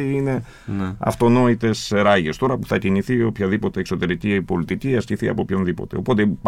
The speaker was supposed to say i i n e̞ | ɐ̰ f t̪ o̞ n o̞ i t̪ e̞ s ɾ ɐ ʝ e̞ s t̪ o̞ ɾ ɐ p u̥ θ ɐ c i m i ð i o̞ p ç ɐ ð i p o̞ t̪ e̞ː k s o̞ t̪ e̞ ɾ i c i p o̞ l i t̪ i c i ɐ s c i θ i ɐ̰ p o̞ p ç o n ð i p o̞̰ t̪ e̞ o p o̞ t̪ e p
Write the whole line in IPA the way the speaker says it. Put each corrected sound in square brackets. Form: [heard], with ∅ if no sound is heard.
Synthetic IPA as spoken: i i n e̞ | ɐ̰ f t̪ o̞ n o̞ i t̪ e̞ s ɾ ɐ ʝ e̞ s t̪ o̞ ɾ ɐ p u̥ θ ɐ c i [n] i [θ] i o̞ p ç ɐ ð i p o̞ t̪ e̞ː k s o̞ t̪ e̞ ɾ i c i p o̞ l i t̪ i c i ɐ s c i θ i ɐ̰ p o̞ p ç o n ð i p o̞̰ t̪ e̞ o p o̞ t̪ e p